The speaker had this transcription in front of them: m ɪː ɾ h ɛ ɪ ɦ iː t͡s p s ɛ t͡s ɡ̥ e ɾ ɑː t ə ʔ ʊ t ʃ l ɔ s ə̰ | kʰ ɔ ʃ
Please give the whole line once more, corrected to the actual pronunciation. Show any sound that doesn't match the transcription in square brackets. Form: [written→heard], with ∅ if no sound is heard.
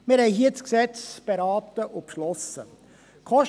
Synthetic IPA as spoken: m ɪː ɾ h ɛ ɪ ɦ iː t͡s [p→k] s ɛ t͡s [ɡ̥→b̥] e ɾ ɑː t ə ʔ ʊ [t→p] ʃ l ɔ s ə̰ | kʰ ɔ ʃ